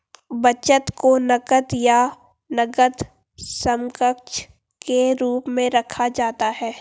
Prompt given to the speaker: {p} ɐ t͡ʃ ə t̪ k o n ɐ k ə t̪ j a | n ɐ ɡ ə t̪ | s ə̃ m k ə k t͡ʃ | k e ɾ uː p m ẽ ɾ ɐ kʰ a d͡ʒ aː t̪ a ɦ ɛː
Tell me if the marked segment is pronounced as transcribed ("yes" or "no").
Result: no